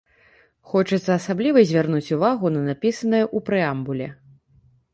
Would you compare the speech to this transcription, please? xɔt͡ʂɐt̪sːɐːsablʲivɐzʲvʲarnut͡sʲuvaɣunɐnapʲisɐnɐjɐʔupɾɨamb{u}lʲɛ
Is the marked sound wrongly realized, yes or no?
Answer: no